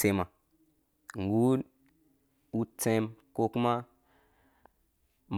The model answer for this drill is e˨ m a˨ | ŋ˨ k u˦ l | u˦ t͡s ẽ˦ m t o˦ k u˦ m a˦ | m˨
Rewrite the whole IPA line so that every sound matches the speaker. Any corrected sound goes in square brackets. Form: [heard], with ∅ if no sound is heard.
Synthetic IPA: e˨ m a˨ | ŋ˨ [ɡ] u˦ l | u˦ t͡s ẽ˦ m [k] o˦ k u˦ m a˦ | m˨